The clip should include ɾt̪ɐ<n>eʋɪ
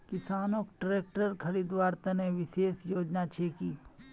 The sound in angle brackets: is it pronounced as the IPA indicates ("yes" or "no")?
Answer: yes